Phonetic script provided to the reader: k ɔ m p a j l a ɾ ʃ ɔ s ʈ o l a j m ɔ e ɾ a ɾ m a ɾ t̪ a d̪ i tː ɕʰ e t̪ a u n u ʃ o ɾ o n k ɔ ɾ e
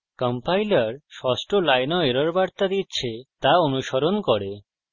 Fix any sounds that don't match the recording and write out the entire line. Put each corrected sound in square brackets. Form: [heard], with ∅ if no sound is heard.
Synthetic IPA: k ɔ m p a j l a ɾ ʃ ɔ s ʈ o l a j [n] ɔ e ɾ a ɾ [b] a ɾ t̪ a d̪ i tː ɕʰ e t̪ a [o] n u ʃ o ɾ o n k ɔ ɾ e